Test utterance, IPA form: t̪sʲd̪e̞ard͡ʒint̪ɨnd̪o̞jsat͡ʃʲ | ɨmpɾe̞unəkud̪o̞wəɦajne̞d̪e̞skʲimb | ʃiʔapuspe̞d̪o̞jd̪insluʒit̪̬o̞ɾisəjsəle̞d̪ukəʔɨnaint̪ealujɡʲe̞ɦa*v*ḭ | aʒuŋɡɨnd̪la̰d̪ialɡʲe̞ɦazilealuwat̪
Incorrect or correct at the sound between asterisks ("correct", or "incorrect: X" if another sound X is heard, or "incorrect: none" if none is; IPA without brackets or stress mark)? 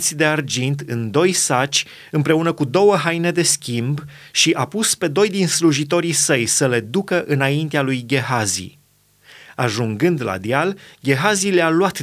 incorrect: z